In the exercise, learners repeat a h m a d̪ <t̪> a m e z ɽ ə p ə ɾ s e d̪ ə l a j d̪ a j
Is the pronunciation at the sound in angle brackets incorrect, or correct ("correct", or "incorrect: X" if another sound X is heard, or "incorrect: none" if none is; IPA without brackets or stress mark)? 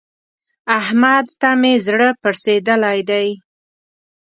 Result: correct